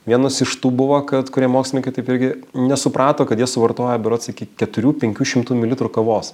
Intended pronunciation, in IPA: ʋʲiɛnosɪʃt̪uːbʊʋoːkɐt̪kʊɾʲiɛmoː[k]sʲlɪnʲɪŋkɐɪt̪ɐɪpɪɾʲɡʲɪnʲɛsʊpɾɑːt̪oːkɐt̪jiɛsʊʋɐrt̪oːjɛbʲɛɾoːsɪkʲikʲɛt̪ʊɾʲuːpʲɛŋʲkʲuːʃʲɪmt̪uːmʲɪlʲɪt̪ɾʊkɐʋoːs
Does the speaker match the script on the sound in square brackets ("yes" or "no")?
yes